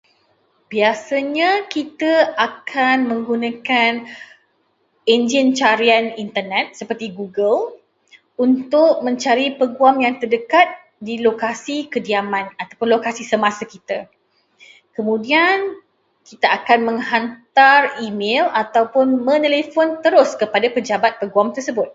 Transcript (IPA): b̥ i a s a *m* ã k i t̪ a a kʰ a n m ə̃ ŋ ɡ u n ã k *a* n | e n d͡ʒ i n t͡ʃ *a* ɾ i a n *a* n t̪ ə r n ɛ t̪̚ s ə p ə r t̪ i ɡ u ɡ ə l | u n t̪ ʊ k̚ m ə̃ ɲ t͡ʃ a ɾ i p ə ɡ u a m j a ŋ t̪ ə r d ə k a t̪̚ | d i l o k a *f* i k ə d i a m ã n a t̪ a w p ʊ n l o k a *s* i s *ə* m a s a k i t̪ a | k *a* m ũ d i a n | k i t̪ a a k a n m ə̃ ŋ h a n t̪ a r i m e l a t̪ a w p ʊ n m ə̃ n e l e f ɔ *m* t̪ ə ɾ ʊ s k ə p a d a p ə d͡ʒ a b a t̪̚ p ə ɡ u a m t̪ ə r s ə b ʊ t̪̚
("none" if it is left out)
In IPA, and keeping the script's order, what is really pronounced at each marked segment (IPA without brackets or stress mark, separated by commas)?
ɲ, a, a, i, s, s, ə, ə, n